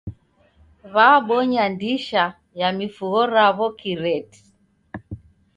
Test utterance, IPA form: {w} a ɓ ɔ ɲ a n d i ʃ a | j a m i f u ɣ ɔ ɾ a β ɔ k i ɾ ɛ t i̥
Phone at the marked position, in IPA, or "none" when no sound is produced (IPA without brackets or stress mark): β